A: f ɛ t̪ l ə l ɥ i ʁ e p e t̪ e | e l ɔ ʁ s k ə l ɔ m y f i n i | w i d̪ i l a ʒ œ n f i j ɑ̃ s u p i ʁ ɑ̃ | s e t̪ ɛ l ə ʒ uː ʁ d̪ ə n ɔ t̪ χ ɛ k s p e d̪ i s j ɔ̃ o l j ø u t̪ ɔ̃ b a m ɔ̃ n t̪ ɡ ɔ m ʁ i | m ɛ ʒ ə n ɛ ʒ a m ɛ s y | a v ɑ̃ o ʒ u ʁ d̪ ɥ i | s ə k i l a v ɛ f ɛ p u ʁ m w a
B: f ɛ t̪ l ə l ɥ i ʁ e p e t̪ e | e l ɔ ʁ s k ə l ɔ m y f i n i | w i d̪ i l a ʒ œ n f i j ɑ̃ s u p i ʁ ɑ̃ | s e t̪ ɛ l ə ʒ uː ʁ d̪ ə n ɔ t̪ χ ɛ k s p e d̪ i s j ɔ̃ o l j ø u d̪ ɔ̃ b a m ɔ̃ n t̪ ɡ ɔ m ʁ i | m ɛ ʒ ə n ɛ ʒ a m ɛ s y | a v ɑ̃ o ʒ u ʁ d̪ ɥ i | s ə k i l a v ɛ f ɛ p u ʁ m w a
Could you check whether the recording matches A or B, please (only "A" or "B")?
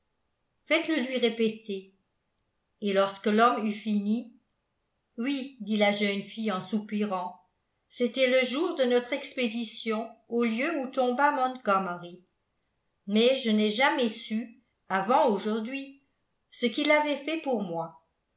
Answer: A